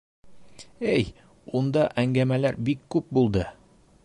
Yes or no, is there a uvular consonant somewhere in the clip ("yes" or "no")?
no